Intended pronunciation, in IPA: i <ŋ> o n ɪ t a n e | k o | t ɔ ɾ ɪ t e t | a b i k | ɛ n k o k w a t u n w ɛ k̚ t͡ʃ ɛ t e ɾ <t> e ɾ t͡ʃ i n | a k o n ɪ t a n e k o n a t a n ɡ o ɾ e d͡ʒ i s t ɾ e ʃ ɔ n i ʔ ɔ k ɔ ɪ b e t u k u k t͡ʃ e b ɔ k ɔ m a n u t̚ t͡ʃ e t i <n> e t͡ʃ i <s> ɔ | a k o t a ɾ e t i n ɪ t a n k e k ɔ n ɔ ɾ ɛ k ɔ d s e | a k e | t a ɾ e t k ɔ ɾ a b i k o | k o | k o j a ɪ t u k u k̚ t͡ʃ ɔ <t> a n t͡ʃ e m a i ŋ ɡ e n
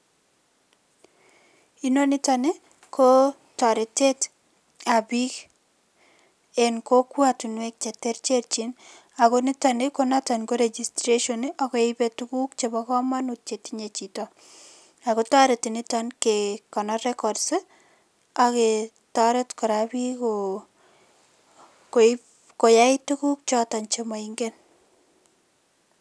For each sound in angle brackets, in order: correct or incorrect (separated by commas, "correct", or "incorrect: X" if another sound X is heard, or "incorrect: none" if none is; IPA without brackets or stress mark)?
incorrect: n, incorrect: t͡ʃ, incorrect: ɲ, incorrect: t, correct